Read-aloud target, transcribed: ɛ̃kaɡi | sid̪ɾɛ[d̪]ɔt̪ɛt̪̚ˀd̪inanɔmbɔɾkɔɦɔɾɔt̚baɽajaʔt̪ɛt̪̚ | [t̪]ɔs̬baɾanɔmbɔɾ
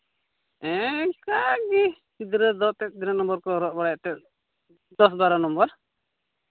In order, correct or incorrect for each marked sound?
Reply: correct, incorrect: d̪

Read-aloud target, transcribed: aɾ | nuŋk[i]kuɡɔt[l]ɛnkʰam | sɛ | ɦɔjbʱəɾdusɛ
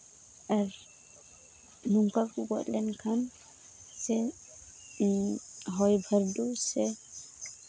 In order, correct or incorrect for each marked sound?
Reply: incorrect: a, correct

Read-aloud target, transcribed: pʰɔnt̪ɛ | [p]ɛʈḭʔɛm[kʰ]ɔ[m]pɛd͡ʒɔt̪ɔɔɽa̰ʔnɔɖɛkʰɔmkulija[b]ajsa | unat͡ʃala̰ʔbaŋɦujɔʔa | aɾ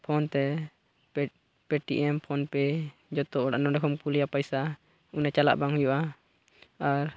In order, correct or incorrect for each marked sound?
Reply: correct, incorrect: pʰ, incorrect: n, incorrect: p

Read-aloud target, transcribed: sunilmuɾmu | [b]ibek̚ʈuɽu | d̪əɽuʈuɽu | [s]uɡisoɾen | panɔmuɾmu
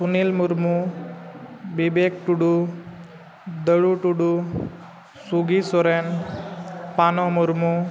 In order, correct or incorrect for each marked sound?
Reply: correct, correct

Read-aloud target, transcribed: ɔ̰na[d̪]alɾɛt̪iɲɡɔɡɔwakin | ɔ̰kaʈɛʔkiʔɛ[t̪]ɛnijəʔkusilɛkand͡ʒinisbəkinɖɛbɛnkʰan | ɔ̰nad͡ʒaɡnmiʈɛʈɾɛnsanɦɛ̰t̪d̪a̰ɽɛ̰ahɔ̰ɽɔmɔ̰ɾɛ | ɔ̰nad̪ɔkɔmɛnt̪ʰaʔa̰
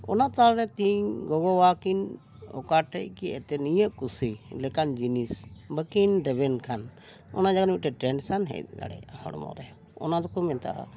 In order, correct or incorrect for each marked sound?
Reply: incorrect: t̪, correct

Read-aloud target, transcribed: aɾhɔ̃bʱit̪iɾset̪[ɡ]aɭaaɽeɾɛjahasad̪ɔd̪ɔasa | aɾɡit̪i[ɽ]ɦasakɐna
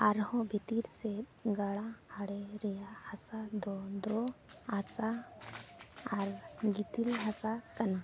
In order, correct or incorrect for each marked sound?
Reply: correct, incorrect: l

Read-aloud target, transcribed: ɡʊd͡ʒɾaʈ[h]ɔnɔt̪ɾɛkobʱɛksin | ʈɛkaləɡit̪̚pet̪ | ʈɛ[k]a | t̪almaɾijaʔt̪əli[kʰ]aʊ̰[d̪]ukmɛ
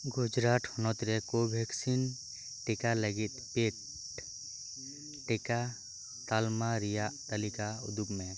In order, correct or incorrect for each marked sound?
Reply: correct, correct, incorrect: k, correct

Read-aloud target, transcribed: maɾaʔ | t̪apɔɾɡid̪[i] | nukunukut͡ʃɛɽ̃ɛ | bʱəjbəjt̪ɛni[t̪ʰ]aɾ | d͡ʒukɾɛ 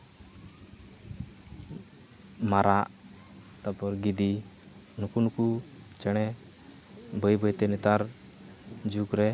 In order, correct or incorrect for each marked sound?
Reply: correct, incorrect: t̪

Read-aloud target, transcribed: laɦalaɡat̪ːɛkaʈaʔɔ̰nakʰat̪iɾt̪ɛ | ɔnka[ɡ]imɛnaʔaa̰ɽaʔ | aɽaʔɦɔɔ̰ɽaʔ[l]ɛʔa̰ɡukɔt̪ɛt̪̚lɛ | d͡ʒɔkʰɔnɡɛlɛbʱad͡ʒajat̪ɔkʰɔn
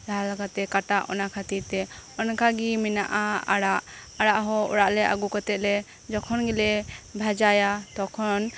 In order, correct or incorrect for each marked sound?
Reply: correct, correct

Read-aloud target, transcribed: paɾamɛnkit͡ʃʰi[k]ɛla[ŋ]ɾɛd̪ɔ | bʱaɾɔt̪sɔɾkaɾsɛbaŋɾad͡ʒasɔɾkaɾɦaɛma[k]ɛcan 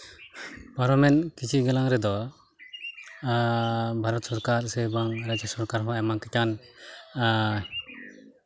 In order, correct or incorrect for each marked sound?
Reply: incorrect: ɡ, correct, correct

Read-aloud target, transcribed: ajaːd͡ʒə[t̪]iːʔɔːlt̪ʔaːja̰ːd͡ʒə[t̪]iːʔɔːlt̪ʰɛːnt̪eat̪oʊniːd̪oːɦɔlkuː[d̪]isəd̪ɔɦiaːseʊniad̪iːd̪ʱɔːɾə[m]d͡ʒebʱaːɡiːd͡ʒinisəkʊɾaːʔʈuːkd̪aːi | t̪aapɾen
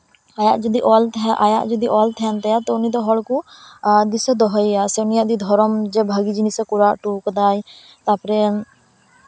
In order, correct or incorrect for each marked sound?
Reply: incorrect: d̪, incorrect: d̪, correct, correct

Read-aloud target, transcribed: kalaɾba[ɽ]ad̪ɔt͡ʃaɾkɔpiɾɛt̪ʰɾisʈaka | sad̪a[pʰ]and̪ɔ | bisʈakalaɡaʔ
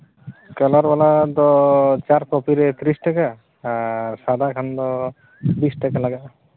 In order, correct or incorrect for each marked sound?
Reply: incorrect: l, incorrect: kʰ

